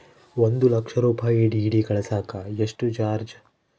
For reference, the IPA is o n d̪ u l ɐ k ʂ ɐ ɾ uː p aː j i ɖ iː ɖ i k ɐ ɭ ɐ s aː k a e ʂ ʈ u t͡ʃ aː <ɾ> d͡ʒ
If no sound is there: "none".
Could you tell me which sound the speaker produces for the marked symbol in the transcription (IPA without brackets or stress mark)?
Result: ɾ